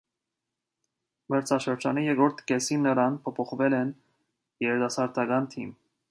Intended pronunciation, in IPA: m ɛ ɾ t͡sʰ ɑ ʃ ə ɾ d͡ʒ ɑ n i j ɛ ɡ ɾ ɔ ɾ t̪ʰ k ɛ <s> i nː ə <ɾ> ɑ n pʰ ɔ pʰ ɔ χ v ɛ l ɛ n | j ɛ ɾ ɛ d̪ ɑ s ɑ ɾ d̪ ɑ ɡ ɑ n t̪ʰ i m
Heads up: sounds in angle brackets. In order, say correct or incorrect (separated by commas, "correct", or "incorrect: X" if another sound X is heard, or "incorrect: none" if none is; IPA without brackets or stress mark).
correct, correct